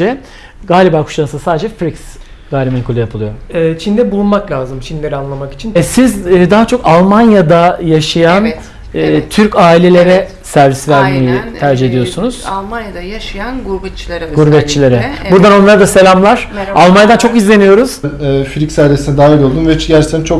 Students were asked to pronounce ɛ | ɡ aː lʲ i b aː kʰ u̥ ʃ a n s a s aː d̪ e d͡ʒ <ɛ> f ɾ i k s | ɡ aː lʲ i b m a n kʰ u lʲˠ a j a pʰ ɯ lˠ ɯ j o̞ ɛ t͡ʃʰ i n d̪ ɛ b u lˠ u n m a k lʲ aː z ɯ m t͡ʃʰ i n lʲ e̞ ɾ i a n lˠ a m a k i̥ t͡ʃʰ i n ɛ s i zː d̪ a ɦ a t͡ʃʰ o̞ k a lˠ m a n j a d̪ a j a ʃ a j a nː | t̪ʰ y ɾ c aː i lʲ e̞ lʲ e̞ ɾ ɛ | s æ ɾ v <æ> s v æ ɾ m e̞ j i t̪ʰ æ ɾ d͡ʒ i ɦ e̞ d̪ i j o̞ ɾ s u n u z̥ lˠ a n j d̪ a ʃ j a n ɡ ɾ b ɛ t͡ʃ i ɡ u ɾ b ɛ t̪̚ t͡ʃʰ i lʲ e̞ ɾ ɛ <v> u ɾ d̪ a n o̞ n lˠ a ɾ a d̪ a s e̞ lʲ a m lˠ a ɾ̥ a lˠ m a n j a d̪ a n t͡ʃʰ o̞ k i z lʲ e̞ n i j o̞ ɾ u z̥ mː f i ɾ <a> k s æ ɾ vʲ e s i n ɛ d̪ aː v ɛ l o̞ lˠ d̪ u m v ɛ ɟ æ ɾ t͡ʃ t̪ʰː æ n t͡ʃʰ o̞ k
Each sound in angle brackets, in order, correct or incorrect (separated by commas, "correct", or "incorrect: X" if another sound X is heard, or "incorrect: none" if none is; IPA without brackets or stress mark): correct, incorrect: i, incorrect: b, incorrect: i